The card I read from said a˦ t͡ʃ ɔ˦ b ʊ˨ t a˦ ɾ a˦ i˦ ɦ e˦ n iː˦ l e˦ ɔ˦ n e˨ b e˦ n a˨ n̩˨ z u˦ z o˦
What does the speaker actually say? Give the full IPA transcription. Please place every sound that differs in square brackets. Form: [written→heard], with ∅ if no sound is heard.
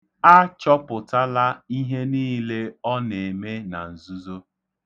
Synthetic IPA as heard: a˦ t͡ʃ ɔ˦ [b→p] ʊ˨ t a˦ [ɾ→l] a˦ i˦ ɦ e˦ n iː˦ l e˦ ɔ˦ n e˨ [b→m] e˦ n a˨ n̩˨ z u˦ z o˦